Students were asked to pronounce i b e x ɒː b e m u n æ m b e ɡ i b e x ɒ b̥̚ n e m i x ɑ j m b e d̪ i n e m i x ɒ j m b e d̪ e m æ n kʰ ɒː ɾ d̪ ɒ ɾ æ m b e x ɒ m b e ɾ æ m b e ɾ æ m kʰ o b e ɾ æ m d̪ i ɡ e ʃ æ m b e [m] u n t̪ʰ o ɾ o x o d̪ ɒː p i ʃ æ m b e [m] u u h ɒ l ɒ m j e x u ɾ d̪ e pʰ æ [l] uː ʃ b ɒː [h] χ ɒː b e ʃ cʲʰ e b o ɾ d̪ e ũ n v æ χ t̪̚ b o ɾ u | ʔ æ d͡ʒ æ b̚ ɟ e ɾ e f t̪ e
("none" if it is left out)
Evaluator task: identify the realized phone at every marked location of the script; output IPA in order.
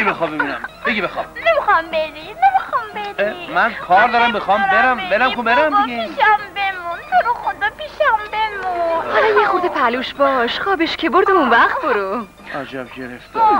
m, m, l, ʃ

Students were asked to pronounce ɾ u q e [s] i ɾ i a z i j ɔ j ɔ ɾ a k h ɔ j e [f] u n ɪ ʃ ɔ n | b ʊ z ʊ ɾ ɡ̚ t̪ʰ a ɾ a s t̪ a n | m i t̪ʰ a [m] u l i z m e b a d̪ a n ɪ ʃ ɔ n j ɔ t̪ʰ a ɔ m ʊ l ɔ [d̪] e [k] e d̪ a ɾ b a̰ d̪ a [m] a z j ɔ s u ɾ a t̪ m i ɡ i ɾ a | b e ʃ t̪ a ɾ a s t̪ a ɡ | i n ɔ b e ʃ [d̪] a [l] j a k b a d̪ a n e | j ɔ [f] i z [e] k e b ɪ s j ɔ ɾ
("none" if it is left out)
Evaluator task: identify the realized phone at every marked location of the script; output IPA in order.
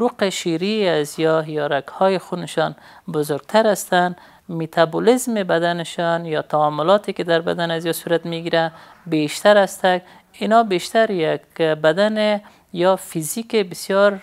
ʃ, x, b, t̪, k, n, t̪, ɾ, f, i

